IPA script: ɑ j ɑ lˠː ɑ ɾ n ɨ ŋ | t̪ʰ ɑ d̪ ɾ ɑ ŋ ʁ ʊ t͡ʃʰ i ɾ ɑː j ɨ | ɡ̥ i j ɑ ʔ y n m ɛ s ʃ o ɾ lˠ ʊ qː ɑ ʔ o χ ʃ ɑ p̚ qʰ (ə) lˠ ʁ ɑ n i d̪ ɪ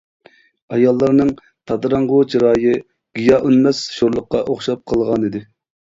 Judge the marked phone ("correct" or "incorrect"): correct